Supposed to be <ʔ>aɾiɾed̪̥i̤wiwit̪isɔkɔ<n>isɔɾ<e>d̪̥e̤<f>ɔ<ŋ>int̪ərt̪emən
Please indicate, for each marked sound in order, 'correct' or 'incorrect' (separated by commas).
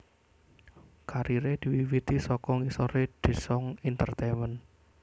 incorrect, incorrect, correct, incorrect, correct